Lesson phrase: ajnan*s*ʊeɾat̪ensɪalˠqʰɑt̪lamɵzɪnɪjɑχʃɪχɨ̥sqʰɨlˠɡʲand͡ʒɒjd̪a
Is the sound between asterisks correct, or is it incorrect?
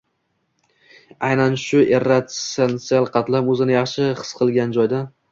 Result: incorrect